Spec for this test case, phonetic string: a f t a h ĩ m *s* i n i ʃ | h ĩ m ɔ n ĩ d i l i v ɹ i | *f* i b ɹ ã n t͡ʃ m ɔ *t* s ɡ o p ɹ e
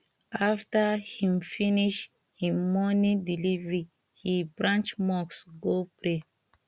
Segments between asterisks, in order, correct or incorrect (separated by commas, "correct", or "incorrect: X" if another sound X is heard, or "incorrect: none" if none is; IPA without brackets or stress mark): incorrect: f, incorrect: h, incorrect: k